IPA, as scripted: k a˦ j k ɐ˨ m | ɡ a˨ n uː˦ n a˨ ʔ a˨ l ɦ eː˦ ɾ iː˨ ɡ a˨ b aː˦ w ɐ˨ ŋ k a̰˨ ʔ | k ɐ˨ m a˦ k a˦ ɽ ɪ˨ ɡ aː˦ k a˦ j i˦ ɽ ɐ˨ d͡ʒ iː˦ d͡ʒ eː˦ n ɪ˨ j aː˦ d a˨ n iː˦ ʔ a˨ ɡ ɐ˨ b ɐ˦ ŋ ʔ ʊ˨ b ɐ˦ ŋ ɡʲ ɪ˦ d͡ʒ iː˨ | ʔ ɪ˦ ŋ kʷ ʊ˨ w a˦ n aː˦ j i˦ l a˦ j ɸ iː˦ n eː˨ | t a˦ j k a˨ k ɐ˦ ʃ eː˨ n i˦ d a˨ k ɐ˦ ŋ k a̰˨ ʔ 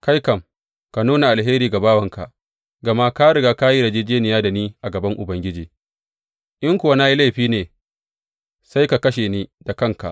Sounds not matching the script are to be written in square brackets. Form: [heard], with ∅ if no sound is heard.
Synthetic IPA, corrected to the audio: k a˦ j k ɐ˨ m | [k] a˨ n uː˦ n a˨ ʔ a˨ l ɦ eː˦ ɾ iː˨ ɡ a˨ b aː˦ w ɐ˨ ŋ k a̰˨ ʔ | [ɡ] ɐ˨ m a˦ k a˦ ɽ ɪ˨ ɡ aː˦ k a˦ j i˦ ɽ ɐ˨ d͡ʒ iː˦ d͡ʒ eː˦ n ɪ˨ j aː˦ d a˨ n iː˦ ʔ a˨ ɡ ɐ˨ b ɐ˦ ŋ ʔ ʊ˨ b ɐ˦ ŋ ɡʲ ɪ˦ d͡ʒ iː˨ | ʔ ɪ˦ ŋ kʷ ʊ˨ w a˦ n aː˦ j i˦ l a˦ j ɸ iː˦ n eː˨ | [s] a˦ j k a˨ k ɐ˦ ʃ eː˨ n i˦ d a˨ k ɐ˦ ŋ k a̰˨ ʔ